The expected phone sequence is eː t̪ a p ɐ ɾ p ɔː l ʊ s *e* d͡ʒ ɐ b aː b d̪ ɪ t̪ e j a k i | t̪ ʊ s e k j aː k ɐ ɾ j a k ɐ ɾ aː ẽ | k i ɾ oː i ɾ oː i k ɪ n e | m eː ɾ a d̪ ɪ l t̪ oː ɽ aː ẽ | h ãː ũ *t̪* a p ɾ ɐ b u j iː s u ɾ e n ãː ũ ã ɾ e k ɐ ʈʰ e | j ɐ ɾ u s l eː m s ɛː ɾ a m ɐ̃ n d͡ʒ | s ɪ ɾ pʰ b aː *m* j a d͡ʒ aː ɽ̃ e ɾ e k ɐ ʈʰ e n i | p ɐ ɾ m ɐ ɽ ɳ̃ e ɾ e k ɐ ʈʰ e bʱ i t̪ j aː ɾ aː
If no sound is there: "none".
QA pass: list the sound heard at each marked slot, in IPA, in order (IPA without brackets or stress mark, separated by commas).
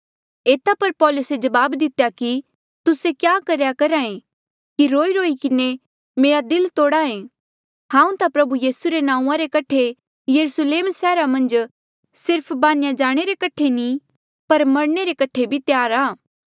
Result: e, t̪, n